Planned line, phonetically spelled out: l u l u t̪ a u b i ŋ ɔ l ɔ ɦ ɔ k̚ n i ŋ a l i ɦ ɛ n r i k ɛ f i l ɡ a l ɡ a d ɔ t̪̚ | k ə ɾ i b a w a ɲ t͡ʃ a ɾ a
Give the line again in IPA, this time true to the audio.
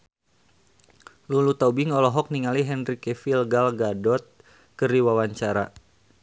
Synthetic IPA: l u l u t̪ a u b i ŋ ɔ l ɔ ɦ ɔ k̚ n i ŋ a l i ɦ ɛ n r i k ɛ f i l ɡ a l ɡ a d ɔ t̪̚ | k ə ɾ i w a w a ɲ t͡ʃ a ɾ a